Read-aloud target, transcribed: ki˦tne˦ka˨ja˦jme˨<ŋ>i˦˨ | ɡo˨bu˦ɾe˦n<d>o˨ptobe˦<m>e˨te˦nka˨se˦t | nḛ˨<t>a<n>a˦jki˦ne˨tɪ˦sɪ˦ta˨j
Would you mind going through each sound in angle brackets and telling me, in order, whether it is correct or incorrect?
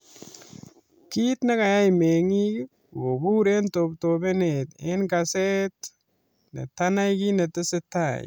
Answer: correct, incorrect: t, incorrect: n, correct, correct

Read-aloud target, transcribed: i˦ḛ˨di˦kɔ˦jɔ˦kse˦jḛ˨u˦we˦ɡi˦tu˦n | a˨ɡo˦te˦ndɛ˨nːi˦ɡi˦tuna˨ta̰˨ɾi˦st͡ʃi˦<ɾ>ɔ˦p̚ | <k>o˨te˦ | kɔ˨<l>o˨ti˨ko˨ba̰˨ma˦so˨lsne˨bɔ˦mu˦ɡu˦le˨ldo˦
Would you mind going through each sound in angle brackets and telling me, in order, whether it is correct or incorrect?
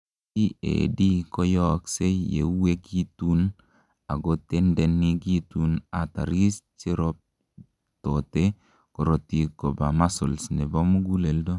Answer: correct, incorrect: t, incorrect: ɾ

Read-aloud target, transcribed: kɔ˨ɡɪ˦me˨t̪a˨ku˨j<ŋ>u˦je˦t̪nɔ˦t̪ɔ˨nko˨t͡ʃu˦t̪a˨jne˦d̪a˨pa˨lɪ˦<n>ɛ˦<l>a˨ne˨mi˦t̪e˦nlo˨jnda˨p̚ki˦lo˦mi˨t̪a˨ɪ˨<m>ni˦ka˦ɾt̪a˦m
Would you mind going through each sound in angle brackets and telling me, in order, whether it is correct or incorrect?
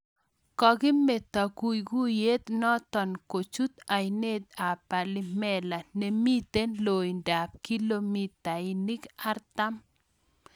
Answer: incorrect: ɡ, incorrect: m, correct, incorrect: none

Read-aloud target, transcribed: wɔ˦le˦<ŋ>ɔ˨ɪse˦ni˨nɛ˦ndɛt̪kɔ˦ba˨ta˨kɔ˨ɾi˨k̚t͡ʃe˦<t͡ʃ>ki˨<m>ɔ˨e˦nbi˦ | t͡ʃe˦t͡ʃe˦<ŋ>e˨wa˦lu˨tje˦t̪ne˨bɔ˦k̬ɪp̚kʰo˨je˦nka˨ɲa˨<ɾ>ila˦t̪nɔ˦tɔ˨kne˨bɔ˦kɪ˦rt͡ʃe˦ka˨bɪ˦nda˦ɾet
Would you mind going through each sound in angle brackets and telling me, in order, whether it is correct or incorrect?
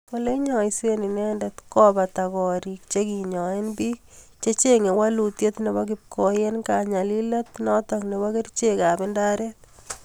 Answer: incorrect: ɲ, incorrect: none, incorrect: ɲ, correct, incorrect: l

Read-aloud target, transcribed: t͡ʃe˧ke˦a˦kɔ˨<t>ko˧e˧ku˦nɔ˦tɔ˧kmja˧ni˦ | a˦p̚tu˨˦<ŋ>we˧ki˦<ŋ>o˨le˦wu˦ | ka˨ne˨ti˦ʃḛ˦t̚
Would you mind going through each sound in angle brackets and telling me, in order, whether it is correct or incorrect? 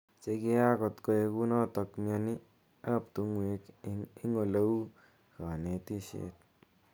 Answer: correct, correct, correct

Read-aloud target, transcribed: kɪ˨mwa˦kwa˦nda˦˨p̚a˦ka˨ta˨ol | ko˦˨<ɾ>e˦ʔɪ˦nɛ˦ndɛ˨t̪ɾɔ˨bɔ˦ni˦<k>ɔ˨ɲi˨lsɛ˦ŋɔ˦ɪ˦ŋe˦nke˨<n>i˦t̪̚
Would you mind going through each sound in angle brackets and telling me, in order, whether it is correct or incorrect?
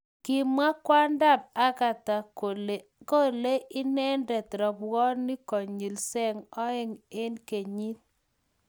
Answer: incorrect: l, correct, incorrect: ɲ

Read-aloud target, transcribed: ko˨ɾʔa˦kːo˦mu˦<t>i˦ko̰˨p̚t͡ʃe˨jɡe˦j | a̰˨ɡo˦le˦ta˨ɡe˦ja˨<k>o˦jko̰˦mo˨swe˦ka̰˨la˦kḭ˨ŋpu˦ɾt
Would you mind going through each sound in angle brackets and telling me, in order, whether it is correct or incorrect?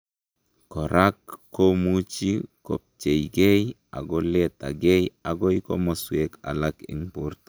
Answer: incorrect: t͡ʃ, incorrect: ɡ

